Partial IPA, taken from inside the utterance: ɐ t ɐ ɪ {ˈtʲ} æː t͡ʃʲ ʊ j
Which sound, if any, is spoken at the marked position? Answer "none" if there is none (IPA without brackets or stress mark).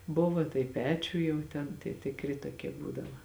pʲ